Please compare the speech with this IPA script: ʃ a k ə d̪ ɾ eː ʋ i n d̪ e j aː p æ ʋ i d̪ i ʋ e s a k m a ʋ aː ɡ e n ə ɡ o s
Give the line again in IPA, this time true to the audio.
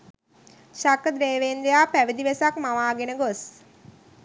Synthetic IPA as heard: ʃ a k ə d̪ ɾ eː ʋ e n d̪ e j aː p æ ʋ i d̪ i ʋ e s a k m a ʋ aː ɡ e n ə ɡ o s